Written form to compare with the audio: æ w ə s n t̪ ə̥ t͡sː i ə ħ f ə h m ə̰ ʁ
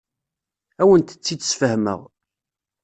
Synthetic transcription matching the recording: æ w ə n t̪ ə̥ t͡sː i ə s f ə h m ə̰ ʁ